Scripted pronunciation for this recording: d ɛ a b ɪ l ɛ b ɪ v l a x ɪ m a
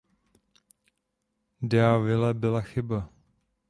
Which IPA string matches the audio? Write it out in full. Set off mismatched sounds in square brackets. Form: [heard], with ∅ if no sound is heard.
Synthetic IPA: d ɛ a [v] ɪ l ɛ b ɪ [∅] l a x ɪ [b] a

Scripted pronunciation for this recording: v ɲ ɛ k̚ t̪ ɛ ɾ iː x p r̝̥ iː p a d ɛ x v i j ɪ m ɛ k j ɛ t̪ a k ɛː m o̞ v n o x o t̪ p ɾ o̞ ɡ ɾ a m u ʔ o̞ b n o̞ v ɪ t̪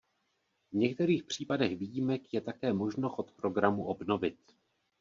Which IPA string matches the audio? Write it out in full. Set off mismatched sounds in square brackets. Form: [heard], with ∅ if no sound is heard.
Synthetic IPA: v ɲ ɛ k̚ t̪ ɛ ɾ iː x p r̝̥ iː p a d ɛ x v i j [i] m ɛ k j ɛ t̪ a k ɛː m o̞ [ʒ] n o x o t̪ p ɾ o̞ ɡ ɾ a m u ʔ o̞ b n o̞ v ɪ t̪

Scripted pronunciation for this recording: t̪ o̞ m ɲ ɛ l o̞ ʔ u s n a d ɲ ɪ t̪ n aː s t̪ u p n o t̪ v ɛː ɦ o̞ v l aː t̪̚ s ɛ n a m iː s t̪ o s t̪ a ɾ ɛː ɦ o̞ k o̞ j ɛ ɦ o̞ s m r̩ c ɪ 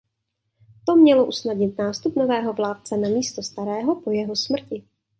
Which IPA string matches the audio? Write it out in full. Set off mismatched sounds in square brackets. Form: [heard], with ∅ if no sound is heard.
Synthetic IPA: t̪ o̞ m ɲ ɛ l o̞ ʔ u s n a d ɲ ɪ t̪ n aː s t̪ u p n o [∅] v ɛː ɦ o̞ v l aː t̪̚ [t͡s] ɛ n a m iː s t̪ o s t̪ a ɾ ɛː ɦ o̞ [p] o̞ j ɛ ɦ o̞ s m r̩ c ɪ

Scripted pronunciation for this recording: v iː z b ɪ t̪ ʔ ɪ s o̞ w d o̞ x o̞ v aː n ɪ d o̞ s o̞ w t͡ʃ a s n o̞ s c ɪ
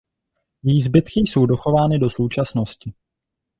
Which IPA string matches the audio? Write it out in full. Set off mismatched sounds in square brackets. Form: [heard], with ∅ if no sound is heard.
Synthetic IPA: v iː z b ɪ t̪ [k] ɪ s o̞ w d o̞ x o̞ v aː n ɪ d o̞ s o̞ w t͡ʃ a s n o̞ s c ɪ

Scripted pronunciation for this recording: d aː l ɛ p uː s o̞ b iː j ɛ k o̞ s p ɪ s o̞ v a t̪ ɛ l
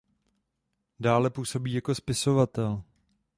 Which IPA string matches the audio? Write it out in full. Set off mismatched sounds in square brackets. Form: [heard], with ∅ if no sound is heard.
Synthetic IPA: d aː l ɛ p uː s o̞ b iː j [a] k o̞ s p ɪ s o̞ v a t̪ ɛ l

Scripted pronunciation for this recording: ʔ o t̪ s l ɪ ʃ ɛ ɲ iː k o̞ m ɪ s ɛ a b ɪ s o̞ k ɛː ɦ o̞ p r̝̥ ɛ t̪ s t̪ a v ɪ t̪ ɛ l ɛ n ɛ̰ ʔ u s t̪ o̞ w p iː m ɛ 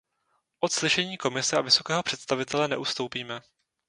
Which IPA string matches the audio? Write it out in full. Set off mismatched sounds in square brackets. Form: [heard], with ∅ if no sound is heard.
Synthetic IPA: ʔ o t̪ s l ɪ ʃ ɛ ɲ iː k o̞ m ɪ s ɛ a [v] ɪ s o̞ k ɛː ɦ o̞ p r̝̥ ɛ t̪ s t̪ a v ɪ t̪ ɛ l ɛ n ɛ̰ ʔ u s t̪ o̞ w p iː m ɛ

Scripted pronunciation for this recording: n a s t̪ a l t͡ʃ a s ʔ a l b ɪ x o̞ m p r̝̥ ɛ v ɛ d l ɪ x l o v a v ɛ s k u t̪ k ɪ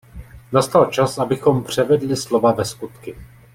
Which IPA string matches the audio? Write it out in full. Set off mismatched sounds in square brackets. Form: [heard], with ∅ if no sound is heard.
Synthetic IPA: n a s t̪ a l t͡ʃ a s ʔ a [∅] b ɪ x o̞ m p r̝̥ ɛ v ɛ d l ɪ [s] l o v a v ɛ s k u t̪ k ɪ

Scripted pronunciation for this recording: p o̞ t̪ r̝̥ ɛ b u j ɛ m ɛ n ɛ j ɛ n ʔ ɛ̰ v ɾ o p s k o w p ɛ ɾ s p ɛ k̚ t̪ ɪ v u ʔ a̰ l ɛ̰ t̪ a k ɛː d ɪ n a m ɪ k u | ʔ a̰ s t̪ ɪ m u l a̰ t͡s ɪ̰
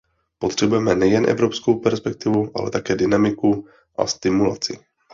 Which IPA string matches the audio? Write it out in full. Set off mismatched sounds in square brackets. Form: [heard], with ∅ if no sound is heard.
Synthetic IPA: p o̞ t̪ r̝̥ ɛ b u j ɛ m ɛ n ɛ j ɛ n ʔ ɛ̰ v ɾ o p s k o w p ɛ ɾ s p ɛ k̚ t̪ ɪ v u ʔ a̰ l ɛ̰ t̪ a k ɛː d ɪ n a m ɪ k u | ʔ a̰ s t̪ ɪ m u l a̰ t͡s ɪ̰

